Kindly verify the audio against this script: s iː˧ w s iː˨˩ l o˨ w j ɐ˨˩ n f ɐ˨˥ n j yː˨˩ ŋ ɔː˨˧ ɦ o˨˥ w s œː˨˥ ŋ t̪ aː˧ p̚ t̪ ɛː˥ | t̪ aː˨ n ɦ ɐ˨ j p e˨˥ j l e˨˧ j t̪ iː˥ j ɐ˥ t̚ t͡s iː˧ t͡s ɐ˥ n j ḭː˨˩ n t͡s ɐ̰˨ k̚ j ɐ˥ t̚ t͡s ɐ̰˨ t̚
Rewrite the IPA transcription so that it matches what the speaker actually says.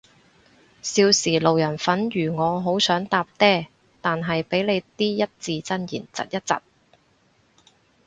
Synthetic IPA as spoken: s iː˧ w s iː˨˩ l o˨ w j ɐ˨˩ n f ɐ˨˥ n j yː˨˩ ŋ ɔː˨˧ ɦ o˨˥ w s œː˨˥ ŋ t̪ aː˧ p̚ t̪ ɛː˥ | t̪ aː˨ n ɦ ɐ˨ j p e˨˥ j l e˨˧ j t̪ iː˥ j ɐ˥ t̚ t͡s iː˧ t͡s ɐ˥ n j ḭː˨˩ n t͡s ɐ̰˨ t̚ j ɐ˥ t̚ t͡s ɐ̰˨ t̚

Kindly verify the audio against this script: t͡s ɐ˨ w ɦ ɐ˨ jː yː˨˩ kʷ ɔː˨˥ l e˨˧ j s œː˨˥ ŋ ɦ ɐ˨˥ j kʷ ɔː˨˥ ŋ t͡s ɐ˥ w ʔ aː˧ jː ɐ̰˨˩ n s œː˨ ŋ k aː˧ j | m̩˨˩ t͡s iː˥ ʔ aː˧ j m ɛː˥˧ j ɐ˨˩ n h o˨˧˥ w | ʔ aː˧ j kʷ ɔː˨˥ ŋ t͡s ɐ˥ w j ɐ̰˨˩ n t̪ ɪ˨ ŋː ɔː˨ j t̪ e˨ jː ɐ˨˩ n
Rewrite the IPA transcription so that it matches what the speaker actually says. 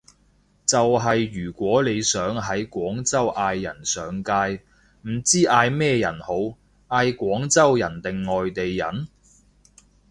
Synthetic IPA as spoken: t͡s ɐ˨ w ɦ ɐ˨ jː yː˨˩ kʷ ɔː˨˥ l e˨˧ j s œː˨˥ ŋ ɦ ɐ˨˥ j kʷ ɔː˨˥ ŋ t͡s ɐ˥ w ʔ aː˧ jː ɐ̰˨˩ n s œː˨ ŋ k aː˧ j | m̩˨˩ t͡s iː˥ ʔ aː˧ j m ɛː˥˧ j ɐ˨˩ n h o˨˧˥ w | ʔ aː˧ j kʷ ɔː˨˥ ŋ t͡s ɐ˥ w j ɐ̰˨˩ n t̪ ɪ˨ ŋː ɔː˨ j t̪ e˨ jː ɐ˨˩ n

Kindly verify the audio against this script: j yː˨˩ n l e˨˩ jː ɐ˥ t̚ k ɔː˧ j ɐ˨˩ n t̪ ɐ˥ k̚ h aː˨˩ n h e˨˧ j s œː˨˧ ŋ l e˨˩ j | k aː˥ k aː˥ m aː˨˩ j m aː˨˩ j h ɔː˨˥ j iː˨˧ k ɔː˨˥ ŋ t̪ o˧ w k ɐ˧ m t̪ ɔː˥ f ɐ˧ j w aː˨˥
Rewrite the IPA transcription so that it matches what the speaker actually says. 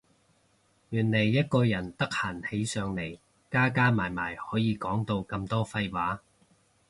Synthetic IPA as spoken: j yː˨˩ n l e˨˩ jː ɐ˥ t̚ k ɔː˧ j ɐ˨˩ n t̪ ɐ˥ k̚ h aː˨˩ n h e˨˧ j s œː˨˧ ŋ l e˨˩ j | k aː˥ k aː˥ m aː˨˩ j m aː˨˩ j h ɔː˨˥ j iː˨˧ k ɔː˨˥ ŋ t̪ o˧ w k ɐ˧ m t̪ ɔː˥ f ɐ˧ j w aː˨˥

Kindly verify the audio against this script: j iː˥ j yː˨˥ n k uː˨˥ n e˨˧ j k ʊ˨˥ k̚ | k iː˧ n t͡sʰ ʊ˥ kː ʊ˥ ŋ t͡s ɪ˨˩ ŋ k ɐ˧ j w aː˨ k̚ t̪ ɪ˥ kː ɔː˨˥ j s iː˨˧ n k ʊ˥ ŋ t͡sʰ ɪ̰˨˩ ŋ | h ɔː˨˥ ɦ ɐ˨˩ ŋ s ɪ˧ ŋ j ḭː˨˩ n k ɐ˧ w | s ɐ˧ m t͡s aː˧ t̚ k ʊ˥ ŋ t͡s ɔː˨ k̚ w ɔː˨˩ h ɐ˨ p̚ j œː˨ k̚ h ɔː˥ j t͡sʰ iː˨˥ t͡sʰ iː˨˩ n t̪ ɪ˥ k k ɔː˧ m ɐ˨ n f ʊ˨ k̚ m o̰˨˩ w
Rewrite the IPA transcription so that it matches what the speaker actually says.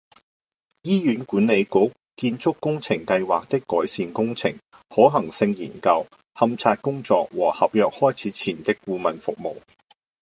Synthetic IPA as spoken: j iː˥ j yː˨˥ n k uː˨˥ n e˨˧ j k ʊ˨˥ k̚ | k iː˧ n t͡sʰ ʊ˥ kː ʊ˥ ŋ t͡sʰ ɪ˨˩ ŋ k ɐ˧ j w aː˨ k̚ t̪ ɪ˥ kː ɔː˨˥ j s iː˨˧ n k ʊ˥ ŋ t͡sʰ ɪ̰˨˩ ŋ | h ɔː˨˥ ɦ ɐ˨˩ ŋ s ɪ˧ ŋ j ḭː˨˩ n k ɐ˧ w | h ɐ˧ m t͡sʰ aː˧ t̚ k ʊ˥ ŋ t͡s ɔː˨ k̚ w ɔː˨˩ h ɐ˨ p̚ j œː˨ k̚ h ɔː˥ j t͡sʰ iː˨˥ t͡sʰ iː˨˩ n t̪ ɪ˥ k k uː˧ m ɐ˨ n f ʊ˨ k̚ m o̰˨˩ w

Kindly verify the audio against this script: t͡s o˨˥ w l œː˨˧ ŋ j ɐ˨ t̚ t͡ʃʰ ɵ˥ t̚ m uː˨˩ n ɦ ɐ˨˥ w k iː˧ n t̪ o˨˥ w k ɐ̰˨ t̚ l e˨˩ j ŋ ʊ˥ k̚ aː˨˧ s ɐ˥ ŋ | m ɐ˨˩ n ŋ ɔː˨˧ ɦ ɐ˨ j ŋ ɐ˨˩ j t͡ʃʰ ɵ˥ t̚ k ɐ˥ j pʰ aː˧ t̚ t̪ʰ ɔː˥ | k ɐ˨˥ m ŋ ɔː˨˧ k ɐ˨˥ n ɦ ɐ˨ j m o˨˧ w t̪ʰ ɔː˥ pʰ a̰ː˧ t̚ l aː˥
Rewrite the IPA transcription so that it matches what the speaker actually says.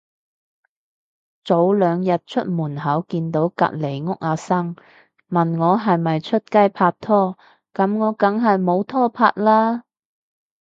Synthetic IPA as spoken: t͡s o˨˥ w l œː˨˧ ŋ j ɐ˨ t̚ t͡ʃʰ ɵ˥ t̚ m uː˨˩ n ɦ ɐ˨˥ w k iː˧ n t̪ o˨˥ w k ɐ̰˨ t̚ l e˨˩ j ŋ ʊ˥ k̚ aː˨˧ s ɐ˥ ŋ | m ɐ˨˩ n ŋ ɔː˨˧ ɦ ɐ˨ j m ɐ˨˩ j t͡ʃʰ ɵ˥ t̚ k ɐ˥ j pʰ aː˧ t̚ t̪ʰ ɔː˥ | k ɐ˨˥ m ŋ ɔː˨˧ k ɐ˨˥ ŋ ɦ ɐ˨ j m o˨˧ w t̪ʰ ɔː˥ pʰ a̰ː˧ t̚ l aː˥

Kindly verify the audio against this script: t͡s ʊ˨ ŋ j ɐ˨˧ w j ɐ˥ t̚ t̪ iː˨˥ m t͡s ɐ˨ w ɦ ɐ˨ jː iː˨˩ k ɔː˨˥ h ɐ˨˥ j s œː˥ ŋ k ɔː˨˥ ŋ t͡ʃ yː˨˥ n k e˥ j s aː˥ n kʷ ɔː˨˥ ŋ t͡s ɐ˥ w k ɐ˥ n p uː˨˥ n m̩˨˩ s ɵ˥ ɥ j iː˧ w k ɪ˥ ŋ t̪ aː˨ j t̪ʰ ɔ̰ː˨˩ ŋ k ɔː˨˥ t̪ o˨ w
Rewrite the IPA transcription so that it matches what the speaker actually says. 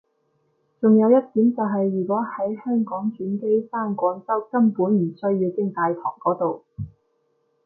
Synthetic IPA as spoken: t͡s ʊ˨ ŋ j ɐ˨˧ w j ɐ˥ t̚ t̪ iː˨˥ m t͡s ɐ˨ w ɦ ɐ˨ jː yː˨˩ k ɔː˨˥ h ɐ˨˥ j h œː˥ ŋ k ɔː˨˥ ŋ t͡ʃ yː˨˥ n k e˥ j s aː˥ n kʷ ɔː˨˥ ŋ t͡s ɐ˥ w k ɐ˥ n p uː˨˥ n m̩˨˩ s ɵ˥ ɥ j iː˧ w k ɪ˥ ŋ t̪ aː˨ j t̪ʰ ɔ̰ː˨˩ ŋ k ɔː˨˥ t̪ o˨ w

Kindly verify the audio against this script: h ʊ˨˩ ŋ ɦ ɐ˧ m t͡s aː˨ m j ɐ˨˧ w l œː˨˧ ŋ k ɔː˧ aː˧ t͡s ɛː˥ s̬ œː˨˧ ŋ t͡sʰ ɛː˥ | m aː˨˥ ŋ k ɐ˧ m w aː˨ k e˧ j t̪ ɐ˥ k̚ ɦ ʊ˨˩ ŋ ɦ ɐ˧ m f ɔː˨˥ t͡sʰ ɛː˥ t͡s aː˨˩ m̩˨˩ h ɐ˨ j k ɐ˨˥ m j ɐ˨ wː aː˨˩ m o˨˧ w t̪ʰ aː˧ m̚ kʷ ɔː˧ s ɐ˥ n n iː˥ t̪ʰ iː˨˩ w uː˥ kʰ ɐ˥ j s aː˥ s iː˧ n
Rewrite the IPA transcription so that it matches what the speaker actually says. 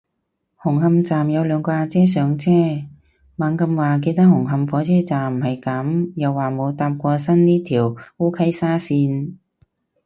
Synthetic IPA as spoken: h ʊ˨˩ ŋ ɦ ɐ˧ m t͡s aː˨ m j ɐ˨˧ w l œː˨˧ ŋ k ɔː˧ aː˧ t͡s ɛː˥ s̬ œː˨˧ ŋ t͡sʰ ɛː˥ | m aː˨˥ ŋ k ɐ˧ m w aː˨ k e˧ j t̪ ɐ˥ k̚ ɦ ʊ˨˩ ŋ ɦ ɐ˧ m f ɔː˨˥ t͡sʰ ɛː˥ t͡s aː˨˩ m̩˨˩ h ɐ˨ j k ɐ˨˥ m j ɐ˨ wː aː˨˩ m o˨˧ w t̪ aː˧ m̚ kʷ ɔː˧ s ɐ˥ n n iː˥ t̪ʰ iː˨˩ w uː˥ kʰ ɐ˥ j s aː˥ s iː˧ n

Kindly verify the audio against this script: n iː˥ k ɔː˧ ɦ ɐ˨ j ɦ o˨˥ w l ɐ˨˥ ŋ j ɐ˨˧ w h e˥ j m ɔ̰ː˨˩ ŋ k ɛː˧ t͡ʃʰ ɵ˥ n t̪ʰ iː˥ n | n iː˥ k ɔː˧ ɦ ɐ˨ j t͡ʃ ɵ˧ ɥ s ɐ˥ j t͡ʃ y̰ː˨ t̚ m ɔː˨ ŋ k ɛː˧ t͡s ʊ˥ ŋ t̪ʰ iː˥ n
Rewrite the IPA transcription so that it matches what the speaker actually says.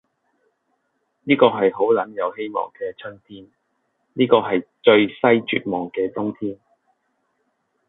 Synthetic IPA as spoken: n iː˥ k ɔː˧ ɦ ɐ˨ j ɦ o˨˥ w l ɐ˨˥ n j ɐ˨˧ w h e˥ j m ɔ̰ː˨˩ ŋ k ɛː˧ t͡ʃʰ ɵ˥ n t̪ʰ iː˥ n | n iː˥ k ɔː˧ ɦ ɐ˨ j t͡ʃ ɵ˧ ɥ s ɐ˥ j t͡ʃ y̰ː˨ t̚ m ɔː˨ ŋ k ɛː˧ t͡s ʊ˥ ŋ t̪ʰ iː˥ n

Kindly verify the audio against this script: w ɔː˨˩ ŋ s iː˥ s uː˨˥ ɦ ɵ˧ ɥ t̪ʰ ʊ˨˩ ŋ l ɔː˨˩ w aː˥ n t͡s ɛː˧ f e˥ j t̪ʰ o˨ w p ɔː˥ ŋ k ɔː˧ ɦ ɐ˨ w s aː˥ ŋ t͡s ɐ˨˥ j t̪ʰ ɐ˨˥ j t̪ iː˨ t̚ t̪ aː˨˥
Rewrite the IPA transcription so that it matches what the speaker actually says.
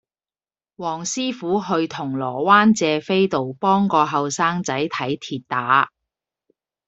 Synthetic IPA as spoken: w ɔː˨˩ ŋ s iː˥ f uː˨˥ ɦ ɵ˧ ɥ t̪ʰ ʊ˨˩ ŋ l ɔː˨˩ w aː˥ n t͡s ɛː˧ f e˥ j t̪ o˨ w p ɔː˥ ŋ k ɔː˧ ɦ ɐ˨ w s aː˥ ŋ t͡s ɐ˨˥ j t̪ʰ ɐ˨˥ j t̪ʰ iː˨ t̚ t̪ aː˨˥

